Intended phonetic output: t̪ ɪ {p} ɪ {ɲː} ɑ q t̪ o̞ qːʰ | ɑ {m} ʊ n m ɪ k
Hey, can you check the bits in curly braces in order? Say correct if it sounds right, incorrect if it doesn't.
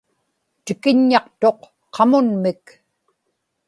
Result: incorrect, correct, correct

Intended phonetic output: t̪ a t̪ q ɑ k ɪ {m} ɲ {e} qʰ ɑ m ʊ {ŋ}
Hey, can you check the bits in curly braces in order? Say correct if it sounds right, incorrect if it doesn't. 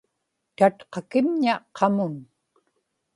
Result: correct, incorrect, incorrect

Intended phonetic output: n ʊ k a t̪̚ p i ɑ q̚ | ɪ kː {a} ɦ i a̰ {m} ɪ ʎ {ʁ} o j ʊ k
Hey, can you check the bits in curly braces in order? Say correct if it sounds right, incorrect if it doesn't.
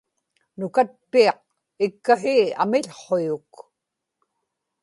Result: correct, correct, incorrect

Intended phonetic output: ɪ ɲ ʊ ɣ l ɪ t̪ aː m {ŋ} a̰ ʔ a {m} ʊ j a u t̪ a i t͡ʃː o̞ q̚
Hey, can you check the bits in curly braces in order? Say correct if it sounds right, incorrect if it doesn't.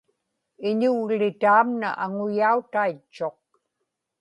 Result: incorrect, incorrect

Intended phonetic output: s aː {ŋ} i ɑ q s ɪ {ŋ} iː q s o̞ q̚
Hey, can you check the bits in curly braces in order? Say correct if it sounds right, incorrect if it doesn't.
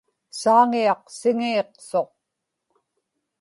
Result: correct, correct

